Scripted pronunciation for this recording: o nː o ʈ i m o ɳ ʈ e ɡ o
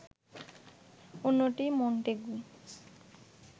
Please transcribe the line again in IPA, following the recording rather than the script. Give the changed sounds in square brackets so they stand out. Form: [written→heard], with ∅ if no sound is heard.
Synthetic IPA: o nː o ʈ i m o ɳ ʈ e ɡ [o→u]